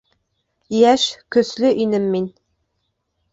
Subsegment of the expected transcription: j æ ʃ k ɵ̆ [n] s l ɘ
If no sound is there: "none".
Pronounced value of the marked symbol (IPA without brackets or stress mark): none